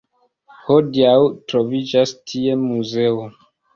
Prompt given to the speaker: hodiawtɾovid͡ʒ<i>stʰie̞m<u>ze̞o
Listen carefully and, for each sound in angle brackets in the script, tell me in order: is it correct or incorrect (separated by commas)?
incorrect, correct